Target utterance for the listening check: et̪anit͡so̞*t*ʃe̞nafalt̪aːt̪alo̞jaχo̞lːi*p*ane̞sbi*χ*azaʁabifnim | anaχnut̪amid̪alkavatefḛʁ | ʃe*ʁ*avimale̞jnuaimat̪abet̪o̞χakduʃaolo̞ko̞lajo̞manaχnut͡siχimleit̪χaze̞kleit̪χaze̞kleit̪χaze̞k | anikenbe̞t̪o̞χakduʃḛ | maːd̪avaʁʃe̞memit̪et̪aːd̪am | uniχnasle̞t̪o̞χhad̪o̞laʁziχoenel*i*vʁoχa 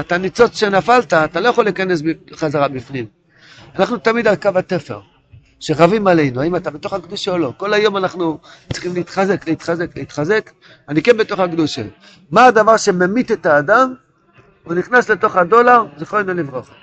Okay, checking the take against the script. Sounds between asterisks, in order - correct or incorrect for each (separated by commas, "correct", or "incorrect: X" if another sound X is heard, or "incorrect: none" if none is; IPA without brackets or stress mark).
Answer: incorrect: t͡s, incorrect: k, correct, correct, correct